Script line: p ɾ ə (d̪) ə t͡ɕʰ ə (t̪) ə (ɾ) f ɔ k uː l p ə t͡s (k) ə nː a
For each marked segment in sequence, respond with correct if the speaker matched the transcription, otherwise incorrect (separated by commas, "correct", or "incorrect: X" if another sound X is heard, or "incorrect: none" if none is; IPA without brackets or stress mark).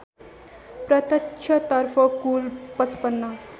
incorrect: t̪, correct, correct, incorrect: p